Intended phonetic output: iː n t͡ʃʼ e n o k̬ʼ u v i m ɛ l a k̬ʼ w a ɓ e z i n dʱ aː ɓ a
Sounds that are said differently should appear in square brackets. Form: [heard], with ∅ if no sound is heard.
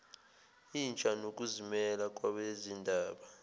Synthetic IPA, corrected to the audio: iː n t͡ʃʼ [a] n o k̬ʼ u [z] i m ɛ l a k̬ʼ w a ɓ e z i n dʱ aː ɓ a